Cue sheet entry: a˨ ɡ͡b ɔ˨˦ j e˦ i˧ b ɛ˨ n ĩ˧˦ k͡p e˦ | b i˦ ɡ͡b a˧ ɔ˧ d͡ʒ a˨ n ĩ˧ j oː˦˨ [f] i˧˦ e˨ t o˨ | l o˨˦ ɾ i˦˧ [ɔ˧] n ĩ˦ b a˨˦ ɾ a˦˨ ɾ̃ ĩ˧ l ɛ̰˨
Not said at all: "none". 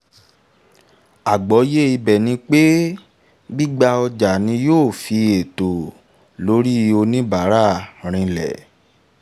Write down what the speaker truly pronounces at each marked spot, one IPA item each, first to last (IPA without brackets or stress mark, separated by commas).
f, o˧